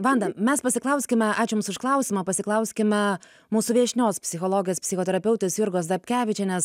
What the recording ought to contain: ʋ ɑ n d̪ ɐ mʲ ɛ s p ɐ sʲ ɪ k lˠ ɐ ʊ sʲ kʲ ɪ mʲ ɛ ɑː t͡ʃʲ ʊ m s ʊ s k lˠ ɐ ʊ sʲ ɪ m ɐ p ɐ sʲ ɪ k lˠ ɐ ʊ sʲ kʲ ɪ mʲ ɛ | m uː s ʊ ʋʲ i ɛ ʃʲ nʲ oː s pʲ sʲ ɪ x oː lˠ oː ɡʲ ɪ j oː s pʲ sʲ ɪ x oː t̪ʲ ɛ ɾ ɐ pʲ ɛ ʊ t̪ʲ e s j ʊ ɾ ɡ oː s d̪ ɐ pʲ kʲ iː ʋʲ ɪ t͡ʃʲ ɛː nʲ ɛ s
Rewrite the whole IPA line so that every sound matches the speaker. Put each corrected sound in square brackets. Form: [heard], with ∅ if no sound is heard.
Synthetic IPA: ʋ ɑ n d̪ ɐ mʲ ɛ s p ɐ sʲ ɪ k lˠ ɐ ʊ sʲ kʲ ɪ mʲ ɛ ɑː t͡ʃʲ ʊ m s ʊ [ʃ] k lˠ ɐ ʊ sʲ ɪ m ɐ p ɐ sʲ ɪ k lˠ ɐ ʊ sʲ kʲ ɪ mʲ ɛ | m uː s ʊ ʋʲ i ɛ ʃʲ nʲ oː s pʲ sʲ ɪ x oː lˠ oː ɡʲ ɪ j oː s pʲ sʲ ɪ x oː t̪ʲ ɛ ɾ ɐ pʲ ɛ ʊ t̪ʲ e s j ʊ ɾ ɡ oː s d̪ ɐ pʲ kʲ [æː] ʋʲ ɪ t͡ʃʲ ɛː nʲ ɛ s